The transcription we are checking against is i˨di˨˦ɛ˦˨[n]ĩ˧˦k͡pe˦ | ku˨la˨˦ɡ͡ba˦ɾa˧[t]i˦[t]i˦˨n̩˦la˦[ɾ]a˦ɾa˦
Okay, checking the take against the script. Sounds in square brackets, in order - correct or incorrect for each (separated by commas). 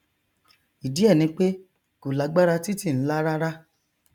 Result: correct, correct, correct, correct